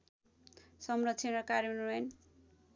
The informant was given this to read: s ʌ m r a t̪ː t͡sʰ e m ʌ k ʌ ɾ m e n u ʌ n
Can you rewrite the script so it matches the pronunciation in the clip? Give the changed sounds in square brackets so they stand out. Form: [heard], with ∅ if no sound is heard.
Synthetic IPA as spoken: s ʌ m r [ʌ] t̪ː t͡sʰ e [n] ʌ k [a] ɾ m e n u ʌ n